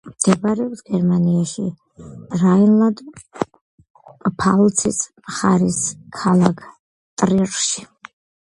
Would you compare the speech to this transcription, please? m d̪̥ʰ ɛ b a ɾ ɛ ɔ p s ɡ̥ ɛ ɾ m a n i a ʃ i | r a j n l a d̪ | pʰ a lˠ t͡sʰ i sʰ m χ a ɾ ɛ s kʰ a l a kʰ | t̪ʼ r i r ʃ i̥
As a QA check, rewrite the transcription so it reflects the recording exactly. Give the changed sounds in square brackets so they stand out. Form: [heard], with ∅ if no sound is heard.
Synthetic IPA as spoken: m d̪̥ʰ ɛ b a ɾ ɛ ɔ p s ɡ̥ ɛ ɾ m a n i a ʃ i | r a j n l a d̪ | pʰ a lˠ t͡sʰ i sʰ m χ a ɾ [i] s kʰ a l a kʰ | t̪ʼ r i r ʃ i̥